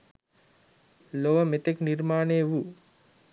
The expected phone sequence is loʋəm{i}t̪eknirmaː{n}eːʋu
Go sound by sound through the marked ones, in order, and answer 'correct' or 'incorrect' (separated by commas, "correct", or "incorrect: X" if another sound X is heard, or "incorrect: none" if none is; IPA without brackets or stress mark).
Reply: incorrect: e, correct